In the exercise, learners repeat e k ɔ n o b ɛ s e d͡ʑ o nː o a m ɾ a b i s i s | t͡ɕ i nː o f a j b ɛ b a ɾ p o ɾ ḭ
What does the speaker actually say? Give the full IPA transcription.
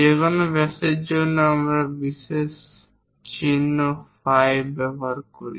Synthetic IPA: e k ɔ n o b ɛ s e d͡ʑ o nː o a m ɾ a b i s e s | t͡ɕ i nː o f a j b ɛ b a ɾ k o ɾ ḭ